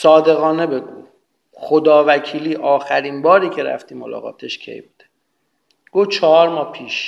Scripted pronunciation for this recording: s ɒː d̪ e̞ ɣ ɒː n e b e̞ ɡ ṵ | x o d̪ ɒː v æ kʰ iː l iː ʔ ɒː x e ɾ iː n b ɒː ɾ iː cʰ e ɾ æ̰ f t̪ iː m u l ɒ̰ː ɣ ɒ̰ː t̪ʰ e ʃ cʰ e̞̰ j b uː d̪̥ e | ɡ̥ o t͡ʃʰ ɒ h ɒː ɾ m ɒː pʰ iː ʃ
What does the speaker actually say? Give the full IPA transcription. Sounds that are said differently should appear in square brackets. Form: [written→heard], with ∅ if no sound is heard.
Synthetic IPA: s ɒː d̪ e̞ ɣ ɒː n e b e̞ ɡ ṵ | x o d̪ ɒː v æ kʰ iː l iː ʔ ɒː x [e→æ] ɾ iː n b ɒː ɾ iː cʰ e ɾ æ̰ f t̪ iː m [u→o] l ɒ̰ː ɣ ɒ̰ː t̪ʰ e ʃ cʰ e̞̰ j b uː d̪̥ e | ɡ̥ o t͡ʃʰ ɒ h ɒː ɾ m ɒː pʰ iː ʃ